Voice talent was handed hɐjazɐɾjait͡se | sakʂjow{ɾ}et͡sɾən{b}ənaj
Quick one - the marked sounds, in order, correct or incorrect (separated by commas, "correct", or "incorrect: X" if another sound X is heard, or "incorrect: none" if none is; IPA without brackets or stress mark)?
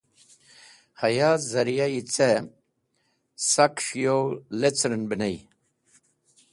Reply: incorrect: l, correct